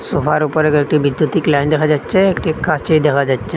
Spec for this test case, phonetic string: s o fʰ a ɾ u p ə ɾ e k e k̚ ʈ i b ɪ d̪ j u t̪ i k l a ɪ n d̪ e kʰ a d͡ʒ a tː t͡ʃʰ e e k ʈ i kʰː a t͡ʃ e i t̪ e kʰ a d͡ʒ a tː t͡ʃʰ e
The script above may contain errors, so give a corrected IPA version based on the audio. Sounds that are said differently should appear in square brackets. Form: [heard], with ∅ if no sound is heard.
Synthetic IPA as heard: s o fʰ a ɾ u p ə ɾ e k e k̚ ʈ i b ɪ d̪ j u t̪ i k l a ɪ n d̪ e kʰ a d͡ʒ a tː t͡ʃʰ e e k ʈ i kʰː a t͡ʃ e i [d̪] e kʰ a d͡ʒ a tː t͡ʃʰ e